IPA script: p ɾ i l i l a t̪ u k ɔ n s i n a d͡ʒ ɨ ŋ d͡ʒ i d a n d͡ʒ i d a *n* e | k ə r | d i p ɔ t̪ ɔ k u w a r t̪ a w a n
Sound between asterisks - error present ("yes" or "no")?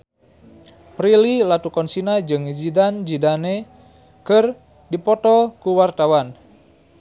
no